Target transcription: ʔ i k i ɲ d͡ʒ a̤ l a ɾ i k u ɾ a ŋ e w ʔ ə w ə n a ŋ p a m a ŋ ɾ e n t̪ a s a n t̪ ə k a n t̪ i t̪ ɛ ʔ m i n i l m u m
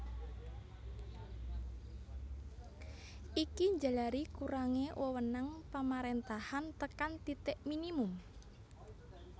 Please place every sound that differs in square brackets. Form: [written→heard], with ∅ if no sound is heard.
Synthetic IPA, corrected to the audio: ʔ i k i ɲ d͡ʒ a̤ l a ɾ i k u ɾ a ŋ e w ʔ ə w ə n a ŋ p a m a [ŋ→∅] ɾ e n t̪ a [s→h] a n t̪ ə k a n t̪ i t̪ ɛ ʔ m i n i [l→∅] m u m